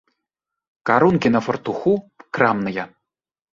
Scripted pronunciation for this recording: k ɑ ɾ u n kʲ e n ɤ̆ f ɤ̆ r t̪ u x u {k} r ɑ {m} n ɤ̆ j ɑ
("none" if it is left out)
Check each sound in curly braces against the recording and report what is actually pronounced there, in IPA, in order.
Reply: k, m

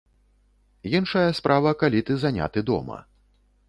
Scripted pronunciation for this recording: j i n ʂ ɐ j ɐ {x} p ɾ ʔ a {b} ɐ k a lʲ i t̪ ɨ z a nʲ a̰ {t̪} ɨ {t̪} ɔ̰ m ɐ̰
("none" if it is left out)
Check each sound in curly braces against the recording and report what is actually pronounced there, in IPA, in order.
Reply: s, v, t̪, d̪

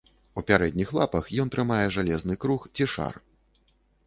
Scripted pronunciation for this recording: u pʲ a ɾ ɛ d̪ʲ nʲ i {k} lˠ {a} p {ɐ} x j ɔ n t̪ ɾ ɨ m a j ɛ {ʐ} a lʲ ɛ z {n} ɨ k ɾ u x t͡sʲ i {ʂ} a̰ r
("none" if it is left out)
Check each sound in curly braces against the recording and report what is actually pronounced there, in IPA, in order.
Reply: x, a, ɐ, ʐ, n, ʂ

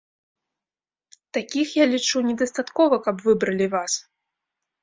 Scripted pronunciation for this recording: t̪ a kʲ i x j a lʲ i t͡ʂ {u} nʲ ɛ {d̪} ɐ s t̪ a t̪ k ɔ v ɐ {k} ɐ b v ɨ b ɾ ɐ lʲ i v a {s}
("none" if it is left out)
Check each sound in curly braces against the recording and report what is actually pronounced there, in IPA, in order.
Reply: u, d̪, k, s

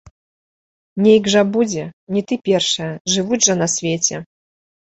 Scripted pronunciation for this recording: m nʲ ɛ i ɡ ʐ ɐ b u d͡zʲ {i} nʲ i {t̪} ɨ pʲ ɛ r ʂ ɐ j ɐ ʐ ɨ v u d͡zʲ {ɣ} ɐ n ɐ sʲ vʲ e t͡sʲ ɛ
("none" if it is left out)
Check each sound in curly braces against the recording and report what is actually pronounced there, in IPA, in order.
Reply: ɛ, t̪, ʐ

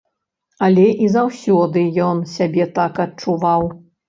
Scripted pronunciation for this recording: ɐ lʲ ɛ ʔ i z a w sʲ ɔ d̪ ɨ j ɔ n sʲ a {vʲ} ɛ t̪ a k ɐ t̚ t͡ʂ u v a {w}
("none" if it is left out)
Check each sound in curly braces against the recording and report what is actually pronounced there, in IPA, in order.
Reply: bʲ, w

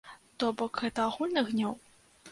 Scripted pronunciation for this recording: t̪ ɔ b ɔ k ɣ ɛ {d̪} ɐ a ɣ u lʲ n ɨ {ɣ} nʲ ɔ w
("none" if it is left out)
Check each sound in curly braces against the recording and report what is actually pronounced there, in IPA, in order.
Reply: t̪, ɣ

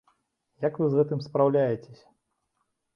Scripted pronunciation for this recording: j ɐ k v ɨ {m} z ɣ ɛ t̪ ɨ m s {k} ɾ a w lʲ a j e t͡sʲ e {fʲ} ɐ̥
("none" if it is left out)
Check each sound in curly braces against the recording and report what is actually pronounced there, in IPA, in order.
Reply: none, p, sʲ

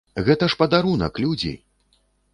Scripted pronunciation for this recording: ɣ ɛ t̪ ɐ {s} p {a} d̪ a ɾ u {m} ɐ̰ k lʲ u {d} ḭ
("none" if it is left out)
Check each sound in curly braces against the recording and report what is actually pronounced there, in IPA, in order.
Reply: ʂ, ɐ, n, d͡zʲ

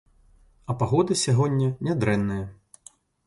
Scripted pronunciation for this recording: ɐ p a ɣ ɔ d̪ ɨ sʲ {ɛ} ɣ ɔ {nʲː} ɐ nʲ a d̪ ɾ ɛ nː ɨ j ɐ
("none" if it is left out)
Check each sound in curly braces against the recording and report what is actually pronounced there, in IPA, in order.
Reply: a, nʲː

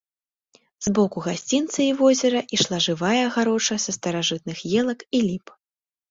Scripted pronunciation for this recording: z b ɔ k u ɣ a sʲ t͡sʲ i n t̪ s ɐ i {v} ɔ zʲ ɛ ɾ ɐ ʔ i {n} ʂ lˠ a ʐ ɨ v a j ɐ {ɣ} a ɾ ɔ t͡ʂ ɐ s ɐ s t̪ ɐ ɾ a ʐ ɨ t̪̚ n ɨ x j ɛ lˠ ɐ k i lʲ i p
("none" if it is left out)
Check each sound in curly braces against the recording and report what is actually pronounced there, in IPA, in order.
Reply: v, none, ɣ

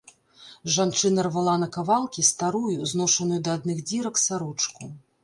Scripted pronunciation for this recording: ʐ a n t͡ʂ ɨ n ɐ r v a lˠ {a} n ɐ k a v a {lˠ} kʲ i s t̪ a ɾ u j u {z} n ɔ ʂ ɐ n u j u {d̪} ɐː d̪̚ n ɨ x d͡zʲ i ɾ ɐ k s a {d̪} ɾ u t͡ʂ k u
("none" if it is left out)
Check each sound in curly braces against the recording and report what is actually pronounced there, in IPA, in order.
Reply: a, lˠ, z, d̪, none

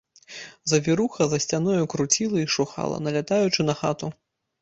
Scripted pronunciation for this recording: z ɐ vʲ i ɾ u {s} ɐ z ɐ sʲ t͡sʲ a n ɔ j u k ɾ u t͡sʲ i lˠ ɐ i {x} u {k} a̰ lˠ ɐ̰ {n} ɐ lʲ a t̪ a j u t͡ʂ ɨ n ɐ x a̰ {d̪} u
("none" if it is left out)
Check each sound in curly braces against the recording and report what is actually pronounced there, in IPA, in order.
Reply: x, ʂ, x, n, t̪

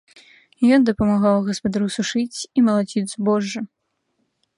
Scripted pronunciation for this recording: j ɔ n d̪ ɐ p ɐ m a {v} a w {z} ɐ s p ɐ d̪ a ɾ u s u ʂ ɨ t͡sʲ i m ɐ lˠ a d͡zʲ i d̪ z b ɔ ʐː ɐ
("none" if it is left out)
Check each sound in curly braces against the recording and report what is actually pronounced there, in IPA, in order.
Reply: ɣ, ɣ

